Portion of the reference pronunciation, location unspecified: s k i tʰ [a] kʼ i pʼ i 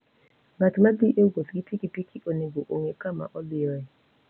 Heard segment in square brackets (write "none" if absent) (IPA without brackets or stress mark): i